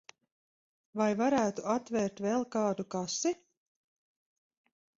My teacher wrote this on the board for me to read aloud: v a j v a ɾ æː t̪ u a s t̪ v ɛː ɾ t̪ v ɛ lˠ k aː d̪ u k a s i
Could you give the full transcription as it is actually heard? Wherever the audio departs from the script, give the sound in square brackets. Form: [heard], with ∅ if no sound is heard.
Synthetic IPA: v a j v a ɾ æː t̪ u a [∅] t̪ v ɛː ɾ t̪ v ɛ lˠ k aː d̪ u k a s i